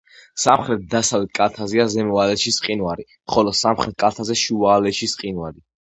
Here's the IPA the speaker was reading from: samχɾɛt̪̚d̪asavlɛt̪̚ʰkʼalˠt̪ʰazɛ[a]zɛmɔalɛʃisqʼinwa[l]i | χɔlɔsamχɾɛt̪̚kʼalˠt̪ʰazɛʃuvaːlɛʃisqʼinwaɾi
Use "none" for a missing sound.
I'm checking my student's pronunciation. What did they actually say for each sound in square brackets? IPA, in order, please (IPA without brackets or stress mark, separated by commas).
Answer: a, ɾ